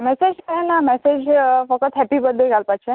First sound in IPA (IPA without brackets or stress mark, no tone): m